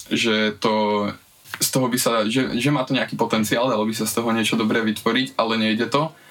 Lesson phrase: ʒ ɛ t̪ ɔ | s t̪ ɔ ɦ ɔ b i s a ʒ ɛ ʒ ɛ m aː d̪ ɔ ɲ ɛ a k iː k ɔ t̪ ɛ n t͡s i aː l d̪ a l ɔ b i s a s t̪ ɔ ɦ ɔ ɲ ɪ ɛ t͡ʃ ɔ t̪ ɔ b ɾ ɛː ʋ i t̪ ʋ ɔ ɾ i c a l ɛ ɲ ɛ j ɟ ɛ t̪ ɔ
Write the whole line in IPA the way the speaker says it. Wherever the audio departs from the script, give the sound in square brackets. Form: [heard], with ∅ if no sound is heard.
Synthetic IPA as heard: ʒ ɛ t̪ ɔ | s t̪ ɔ ɦ ɔ b i s a ʒ ɛ ʒ ɛ m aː [t̪] ɔ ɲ ɛ a k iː [p] ɔ t̪ ɛ n t͡s i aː l d̪ a l ɔ b i s a s t̪ ɔ ɦ ɔ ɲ ɪ ɛ t͡ʃ ɔ [d̪] ɔ b ɾ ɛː ʋ i t̪ ʋ ɔ ɾ i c a l ɛ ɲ ɛ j ɟ ɛ t̪ ɔ